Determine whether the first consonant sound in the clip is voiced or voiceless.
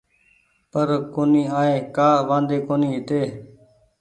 voiceless